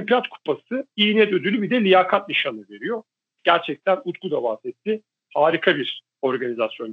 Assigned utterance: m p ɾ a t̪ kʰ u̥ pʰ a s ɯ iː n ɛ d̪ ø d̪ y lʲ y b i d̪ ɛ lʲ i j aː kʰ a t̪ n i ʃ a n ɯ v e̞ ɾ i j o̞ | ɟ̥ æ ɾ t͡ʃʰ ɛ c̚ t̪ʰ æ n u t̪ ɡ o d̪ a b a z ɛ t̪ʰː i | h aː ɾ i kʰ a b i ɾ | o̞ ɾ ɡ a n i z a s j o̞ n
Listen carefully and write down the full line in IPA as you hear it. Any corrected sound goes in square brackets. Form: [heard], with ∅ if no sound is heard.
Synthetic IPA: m p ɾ a t̪ kʰ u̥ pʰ a s ɯ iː n ɛ d̪ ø d̪ y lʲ y b i d̪ ɛ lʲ i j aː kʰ a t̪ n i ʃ a n ɯ v e̞ ɾ i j o̞ | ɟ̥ æ ɾ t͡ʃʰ ɛ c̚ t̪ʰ æ n u t̪ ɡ [u] d̪ a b a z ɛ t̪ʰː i | h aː ɾ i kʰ a b i ɾ | o̞ ɾ ɡ a n i z a s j o̞ n